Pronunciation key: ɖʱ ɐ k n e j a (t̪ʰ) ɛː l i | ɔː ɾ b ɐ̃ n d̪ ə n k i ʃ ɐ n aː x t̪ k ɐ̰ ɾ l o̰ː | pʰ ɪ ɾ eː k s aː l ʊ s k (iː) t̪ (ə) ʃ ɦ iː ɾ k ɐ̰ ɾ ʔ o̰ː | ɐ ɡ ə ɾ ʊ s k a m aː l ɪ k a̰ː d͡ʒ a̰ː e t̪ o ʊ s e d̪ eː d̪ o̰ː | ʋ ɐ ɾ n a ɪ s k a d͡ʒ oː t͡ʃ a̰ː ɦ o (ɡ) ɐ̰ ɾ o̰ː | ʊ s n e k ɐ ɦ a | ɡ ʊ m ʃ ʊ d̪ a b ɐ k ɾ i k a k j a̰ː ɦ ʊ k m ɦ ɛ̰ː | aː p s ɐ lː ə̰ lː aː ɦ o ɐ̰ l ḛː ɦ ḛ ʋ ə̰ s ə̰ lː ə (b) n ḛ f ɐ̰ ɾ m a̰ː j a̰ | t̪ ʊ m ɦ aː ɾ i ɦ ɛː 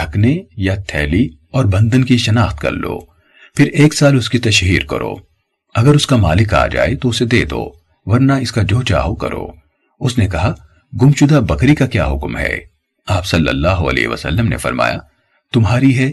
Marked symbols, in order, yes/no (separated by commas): yes, no, no, no, no